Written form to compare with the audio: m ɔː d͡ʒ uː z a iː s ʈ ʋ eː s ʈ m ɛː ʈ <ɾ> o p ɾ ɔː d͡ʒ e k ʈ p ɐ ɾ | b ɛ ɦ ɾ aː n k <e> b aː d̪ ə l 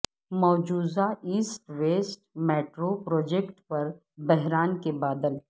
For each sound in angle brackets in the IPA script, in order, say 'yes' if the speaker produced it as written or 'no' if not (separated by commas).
yes, yes